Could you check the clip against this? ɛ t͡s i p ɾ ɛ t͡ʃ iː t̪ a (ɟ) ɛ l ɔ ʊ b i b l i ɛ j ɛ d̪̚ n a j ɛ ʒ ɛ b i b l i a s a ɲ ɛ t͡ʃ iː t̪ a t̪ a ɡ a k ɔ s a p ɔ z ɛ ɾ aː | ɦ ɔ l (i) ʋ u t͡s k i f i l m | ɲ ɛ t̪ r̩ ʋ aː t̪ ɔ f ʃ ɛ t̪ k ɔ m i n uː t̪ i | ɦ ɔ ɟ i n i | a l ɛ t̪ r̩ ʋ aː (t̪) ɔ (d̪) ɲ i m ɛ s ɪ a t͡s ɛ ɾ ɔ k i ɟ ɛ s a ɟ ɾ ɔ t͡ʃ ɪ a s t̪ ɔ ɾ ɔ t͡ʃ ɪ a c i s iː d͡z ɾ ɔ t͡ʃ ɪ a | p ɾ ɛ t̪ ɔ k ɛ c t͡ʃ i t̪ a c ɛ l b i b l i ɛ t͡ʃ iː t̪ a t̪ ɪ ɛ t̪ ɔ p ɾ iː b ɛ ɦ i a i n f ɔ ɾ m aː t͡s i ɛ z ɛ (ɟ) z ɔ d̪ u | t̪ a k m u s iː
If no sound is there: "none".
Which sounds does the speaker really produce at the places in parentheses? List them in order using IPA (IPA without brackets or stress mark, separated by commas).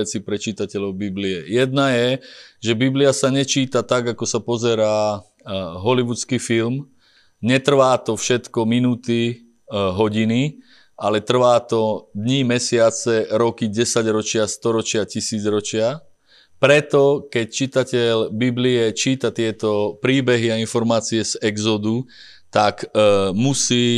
c, i, t̪, d̪, ɡ